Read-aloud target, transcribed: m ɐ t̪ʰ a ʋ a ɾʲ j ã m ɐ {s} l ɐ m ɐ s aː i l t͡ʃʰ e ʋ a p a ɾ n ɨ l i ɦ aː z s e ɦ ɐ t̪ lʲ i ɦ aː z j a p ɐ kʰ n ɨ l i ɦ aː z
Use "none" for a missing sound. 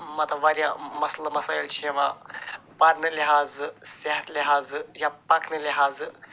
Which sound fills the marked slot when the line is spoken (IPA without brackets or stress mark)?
s